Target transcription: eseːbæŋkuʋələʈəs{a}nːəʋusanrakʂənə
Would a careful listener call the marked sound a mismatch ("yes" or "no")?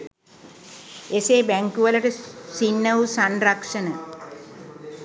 yes